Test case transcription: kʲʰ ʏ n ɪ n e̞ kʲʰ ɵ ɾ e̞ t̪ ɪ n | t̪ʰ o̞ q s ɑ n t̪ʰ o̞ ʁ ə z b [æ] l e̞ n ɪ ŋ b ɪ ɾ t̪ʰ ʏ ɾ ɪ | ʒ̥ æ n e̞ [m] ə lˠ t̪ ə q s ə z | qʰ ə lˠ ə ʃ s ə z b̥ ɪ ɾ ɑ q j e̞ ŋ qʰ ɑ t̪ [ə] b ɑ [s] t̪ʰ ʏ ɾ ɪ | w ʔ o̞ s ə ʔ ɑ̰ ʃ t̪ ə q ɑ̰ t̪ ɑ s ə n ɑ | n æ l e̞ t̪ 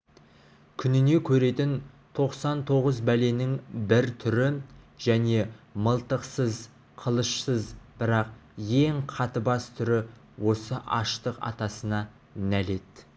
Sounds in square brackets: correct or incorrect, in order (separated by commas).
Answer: correct, correct, correct, correct